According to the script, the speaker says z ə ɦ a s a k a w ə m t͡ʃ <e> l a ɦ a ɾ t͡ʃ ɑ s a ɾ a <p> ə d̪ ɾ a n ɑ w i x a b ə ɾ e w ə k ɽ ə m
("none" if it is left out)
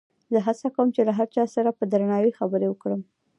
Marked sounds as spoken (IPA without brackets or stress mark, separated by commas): e, p